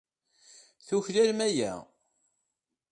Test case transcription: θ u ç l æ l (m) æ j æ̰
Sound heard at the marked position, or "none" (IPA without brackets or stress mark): m